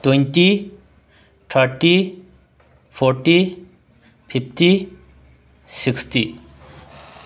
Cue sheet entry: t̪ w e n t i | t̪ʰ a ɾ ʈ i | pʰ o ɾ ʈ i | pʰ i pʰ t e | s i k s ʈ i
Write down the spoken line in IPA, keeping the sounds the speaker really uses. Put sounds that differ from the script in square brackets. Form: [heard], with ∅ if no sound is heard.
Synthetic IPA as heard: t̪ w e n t i | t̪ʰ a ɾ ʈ i | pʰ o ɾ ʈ i | pʰ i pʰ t [i] | s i k s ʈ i